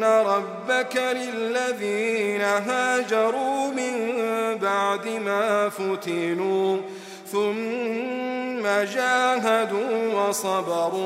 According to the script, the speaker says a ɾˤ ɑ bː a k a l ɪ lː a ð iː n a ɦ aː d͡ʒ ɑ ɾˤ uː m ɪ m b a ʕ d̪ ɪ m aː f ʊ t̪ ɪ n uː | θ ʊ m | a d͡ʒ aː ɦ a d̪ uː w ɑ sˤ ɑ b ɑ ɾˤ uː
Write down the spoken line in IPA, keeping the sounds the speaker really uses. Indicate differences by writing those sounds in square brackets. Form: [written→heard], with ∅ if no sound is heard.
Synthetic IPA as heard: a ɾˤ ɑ bː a k a l ɪ lː a ð iː n a ɦ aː d͡ʒ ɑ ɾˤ uː m ɪ m b a ʕ d̪ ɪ m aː f ʊ t̪ ɪ n uː | θ ʊ m | a d͡ʒ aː ɦ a d̪ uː w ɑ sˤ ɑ b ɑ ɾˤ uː